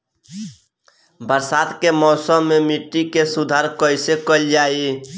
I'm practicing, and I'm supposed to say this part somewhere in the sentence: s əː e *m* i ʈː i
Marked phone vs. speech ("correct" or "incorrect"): correct